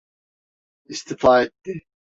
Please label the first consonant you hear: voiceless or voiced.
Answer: voiceless